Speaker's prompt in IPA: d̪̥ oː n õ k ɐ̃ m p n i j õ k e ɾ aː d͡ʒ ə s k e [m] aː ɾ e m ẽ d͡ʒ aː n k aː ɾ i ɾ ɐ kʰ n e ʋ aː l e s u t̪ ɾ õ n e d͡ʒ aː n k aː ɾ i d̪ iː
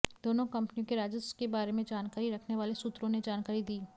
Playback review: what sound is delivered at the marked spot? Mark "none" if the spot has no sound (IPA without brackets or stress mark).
b